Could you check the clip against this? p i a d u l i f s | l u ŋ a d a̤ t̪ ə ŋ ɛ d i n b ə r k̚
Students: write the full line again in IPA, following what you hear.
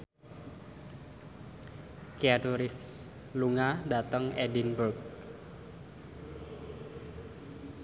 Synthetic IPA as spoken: k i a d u ɾ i f s | l u ŋ a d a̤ t̪ ə ŋ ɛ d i n b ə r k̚